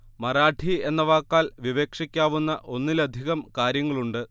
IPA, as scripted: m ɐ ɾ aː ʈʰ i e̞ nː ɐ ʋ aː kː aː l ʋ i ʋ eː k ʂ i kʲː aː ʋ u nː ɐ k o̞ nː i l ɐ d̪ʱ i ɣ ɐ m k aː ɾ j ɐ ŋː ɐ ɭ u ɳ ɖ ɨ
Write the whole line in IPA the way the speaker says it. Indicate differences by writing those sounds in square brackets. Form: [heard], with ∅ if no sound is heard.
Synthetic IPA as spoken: m ɐ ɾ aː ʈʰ i e̞ nː ɐ ʋ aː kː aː l ʋ i ʋ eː k ʂ i kʲː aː ʋ u nː ɐ [ʔ] o̞ nː i l ɐ d̪ʱ i ɣ ɐ m k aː ɾ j ɐ ŋː ɐ ɭ u ɳ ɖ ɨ